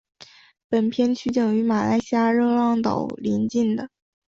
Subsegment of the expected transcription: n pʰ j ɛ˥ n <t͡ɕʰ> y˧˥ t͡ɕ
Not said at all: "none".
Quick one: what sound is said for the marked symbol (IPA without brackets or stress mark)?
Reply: t͡ɕʰ